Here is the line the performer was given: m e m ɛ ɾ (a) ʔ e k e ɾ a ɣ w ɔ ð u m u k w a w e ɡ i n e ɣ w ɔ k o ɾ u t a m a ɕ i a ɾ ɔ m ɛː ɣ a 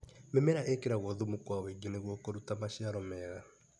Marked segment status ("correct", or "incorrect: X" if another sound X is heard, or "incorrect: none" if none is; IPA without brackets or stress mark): correct